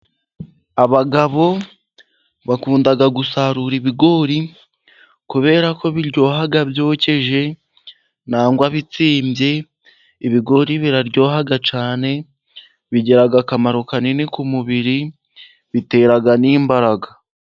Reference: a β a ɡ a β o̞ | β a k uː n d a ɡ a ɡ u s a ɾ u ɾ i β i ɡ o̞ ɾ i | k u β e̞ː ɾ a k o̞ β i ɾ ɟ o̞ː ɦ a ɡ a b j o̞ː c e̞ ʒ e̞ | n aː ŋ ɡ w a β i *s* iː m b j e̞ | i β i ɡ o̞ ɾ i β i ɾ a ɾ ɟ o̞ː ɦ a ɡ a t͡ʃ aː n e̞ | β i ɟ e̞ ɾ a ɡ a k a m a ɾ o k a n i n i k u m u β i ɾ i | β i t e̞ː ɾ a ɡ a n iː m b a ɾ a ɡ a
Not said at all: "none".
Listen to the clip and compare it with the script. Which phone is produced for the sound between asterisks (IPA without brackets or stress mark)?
t͡s